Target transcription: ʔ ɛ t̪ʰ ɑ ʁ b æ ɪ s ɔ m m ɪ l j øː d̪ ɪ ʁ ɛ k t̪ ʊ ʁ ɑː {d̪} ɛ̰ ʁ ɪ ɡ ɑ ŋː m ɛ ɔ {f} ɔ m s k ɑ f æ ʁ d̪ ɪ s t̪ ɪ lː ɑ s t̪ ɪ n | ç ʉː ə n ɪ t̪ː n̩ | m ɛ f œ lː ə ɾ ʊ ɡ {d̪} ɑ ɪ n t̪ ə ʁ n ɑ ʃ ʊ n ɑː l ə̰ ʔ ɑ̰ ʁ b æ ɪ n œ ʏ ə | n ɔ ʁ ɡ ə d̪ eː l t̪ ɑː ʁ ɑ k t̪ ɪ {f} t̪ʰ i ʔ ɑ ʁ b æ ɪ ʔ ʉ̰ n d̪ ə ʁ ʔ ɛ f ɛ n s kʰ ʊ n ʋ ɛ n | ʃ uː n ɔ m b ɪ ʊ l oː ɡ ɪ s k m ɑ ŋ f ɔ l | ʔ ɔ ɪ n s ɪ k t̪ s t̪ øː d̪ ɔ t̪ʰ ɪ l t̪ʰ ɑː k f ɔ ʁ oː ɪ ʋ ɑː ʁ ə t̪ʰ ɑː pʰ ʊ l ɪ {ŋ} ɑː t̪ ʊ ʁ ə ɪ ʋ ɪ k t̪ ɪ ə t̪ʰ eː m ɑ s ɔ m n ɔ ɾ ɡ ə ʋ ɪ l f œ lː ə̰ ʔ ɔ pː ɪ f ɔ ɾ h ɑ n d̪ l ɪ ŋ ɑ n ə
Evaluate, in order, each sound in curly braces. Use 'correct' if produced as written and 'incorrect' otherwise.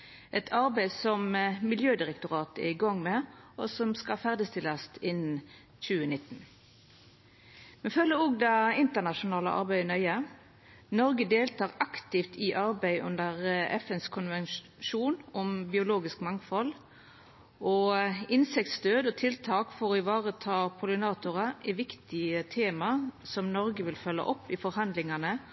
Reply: incorrect, incorrect, correct, correct, incorrect

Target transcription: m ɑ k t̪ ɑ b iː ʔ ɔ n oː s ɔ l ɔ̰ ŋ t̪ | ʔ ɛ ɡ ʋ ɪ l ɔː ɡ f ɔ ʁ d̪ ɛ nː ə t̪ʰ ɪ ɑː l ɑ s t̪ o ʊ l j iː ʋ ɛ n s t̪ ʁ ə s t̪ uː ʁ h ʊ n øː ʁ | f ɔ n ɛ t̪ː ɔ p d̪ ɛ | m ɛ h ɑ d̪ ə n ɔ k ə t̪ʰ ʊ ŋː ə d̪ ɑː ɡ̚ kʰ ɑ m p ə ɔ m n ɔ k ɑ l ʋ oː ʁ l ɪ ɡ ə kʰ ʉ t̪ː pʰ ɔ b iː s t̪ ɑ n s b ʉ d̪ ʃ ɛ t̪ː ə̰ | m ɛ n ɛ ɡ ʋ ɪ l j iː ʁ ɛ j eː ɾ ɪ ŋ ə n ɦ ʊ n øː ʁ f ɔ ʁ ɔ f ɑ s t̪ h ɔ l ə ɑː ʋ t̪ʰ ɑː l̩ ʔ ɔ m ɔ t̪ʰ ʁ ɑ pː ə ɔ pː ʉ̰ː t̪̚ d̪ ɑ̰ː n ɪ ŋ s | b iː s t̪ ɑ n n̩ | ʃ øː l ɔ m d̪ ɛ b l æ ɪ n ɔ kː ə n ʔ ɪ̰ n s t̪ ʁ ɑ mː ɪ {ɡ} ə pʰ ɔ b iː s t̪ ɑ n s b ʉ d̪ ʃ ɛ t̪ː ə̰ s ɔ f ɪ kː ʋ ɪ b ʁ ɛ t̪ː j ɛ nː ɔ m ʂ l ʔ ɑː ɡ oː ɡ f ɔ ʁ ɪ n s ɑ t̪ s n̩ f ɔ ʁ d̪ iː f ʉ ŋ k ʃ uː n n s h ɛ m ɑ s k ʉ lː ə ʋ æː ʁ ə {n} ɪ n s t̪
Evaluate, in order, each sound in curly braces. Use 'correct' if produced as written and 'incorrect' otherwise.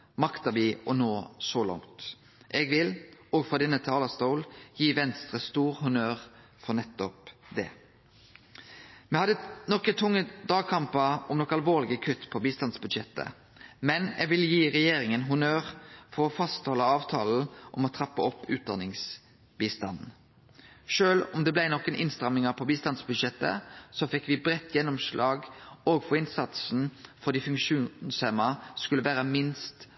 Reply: incorrect, incorrect

